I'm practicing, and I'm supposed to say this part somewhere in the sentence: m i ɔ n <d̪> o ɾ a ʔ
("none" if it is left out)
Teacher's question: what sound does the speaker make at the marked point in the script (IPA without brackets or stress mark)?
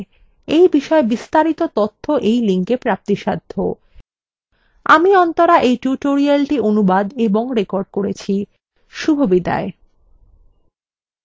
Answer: t̪